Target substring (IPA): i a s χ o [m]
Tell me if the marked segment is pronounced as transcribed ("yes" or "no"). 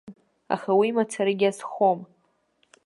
yes